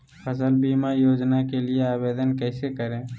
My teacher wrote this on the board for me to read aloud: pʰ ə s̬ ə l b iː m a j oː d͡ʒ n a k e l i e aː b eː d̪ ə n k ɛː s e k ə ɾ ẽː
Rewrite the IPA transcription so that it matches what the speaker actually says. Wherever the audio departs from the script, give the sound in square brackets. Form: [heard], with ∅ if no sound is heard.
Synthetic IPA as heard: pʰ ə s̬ ə l b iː m a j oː d͡ʒ n a k e l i e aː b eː d̪ ə n k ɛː s e k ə ɾ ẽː